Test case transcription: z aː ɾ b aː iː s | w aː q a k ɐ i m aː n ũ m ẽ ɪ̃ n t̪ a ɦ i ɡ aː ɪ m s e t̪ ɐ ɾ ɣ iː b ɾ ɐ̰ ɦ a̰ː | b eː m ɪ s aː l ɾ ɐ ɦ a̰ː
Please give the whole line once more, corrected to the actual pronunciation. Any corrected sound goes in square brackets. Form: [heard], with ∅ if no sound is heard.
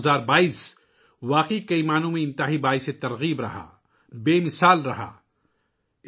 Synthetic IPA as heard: z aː ɾ b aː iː s | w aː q [i] k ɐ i m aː n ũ m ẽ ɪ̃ n t̪ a ɦ i [b] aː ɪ [∅] s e t̪ ɐ ɾ ɣ iː b ɾ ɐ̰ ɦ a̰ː | b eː m ɪ s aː l ɾ ɐ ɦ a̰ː